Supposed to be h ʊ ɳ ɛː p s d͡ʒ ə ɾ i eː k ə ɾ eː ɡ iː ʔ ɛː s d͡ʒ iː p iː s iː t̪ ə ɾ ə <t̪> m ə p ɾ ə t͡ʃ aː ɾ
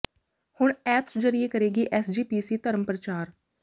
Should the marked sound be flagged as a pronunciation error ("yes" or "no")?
yes